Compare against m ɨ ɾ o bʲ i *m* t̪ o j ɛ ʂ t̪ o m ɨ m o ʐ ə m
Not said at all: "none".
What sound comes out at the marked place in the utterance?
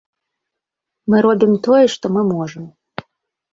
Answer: m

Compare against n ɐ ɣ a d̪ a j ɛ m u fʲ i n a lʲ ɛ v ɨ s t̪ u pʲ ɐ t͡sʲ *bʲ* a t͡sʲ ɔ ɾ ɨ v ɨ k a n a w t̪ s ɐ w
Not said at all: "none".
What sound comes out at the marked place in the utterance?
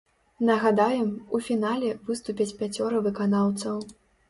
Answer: pʲ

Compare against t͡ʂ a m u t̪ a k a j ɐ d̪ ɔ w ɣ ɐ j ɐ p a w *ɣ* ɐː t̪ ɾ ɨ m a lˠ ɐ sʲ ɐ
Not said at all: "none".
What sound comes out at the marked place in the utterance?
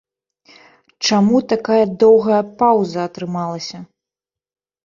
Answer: z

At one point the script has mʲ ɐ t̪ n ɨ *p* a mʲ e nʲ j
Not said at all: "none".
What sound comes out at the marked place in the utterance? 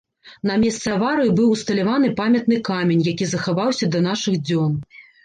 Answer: k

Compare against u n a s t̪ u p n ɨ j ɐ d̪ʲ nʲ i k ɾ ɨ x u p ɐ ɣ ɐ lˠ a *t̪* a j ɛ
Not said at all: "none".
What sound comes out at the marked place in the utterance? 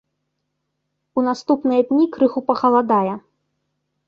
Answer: d̪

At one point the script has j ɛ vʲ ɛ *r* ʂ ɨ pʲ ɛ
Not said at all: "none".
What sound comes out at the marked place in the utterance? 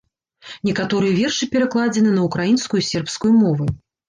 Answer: r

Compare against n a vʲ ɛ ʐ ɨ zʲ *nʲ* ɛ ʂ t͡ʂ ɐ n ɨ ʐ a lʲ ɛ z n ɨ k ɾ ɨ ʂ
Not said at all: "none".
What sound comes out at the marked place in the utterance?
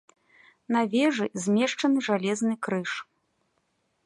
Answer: mʲ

